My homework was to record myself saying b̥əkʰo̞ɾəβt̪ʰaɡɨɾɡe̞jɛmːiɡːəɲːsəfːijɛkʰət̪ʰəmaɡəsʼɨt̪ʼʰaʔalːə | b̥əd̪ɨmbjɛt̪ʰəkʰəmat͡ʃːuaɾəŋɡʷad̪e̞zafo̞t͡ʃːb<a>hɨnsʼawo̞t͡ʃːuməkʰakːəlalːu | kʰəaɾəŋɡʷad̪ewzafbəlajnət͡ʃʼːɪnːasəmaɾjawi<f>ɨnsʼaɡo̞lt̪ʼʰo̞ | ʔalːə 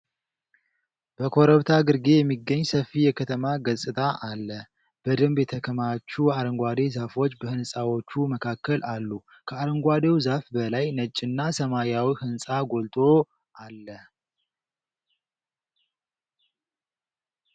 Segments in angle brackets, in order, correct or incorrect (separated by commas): incorrect, incorrect